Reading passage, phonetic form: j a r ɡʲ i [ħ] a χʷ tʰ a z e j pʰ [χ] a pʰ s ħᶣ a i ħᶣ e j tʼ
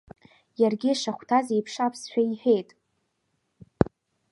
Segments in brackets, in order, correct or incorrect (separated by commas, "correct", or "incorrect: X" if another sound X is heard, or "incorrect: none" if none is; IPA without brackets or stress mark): incorrect: ʂ, incorrect: ʂ